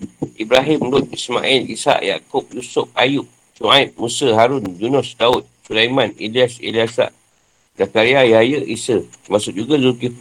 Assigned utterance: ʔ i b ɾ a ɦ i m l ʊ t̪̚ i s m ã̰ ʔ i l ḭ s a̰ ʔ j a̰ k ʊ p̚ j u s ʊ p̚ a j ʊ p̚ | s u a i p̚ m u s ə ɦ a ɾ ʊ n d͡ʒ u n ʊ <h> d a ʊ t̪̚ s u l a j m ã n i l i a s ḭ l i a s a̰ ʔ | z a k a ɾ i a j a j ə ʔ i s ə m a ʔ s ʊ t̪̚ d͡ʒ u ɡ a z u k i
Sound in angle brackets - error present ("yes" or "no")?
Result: yes